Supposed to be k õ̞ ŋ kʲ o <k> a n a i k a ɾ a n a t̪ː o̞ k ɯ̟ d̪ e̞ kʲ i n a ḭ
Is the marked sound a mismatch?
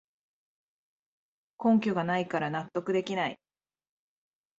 yes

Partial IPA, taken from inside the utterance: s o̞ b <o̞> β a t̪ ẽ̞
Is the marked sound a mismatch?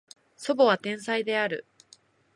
no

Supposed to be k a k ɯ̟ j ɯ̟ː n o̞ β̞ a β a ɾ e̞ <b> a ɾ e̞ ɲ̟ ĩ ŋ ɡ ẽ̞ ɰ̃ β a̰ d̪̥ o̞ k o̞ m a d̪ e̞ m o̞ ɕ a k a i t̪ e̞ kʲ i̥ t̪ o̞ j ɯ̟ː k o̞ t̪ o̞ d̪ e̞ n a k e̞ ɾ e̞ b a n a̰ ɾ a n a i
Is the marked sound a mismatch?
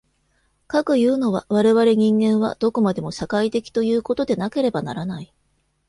yes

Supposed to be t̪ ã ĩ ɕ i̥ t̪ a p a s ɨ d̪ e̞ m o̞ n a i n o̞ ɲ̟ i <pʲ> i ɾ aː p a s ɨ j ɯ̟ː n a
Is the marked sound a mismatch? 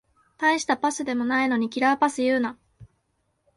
yes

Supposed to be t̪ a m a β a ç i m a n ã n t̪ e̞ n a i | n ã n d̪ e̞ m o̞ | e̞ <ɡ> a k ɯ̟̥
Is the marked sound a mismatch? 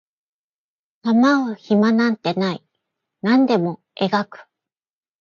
no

